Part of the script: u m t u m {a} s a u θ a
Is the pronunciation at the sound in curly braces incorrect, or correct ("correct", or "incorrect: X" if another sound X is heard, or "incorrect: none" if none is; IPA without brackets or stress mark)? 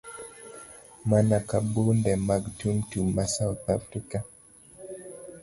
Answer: correct